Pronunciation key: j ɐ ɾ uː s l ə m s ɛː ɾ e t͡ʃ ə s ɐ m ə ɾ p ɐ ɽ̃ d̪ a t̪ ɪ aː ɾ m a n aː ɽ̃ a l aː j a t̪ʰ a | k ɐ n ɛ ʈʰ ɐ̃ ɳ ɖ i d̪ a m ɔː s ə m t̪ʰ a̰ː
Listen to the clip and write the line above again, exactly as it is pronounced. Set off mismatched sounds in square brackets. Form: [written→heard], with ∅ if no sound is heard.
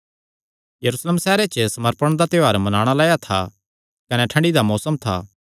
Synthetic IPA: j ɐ ɾ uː s l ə m s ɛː ɾ e t͡ʃ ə s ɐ m ə ɾ p [ɐ→ə] ɽ̃ d̪ a t̪ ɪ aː ɾ m [a→ɐ] n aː ɽ̃ a l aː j a t̪ʰ a | k ɐ n ɛ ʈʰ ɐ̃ ɳ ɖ i d̪ a m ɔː s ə m t̪ʰ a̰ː

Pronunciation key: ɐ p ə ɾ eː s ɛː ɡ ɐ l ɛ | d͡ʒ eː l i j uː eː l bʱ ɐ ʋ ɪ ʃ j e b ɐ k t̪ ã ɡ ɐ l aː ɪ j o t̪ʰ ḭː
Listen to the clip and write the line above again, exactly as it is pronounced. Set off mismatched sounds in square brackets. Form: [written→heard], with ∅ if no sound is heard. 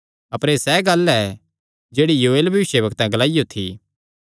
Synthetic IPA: ɐ p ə ɾ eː s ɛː ɡ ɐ l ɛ | d͡ʒ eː [l→ɽ] i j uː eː l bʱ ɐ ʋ ɪ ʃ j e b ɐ k t̪ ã ɡ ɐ l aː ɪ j o t̪ʰ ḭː

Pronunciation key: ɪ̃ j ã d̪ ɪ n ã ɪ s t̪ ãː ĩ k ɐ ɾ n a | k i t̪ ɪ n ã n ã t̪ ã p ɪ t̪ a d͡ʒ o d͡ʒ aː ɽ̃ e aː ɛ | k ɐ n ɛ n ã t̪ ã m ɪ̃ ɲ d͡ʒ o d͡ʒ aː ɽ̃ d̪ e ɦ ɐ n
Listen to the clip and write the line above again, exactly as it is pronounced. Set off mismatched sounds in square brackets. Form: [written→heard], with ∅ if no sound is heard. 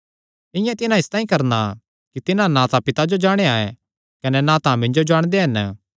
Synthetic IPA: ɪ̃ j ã [d̪→t̪] ɪ n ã ɪ s t̪ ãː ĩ k ɐ ɾ n a | k i t̪ ɪ n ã n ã t̪ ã p ɪ t̪ a d͡ʒ o d͡ʒ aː ɽ̃ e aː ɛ | k ɐ n ɛ n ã t̪ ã m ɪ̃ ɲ d͡ʒ o d͡ʒ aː ɽ̃ d̪ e ɦ ɐ n

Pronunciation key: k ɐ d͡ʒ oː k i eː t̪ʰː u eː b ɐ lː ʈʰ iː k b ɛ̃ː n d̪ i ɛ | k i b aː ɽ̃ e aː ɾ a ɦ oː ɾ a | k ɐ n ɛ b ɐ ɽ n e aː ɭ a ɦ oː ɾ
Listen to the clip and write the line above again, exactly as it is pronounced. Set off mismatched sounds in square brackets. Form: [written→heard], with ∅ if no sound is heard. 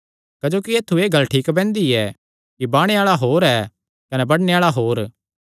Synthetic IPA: k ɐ d͡ʒ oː k i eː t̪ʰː u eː [b→ɡ] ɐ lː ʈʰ iː k b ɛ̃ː n d̪ i ɛ | k i b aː ɽ̃ e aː [ɾ→ɭ] a ɦ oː ɾ [a→ɛ] | k ɐ n ɛ b ɐ ɽ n e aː ɭ a ɦ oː ɾ

